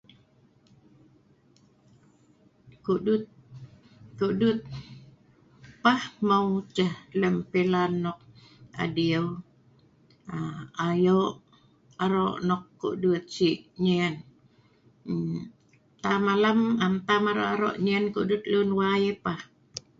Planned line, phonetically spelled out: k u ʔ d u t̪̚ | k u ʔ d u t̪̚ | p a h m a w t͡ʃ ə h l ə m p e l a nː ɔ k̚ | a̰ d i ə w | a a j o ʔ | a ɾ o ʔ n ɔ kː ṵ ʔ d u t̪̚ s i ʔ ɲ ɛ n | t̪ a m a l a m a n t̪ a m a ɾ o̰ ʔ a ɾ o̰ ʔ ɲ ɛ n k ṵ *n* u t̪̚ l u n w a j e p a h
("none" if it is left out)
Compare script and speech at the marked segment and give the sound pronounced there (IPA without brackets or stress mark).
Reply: d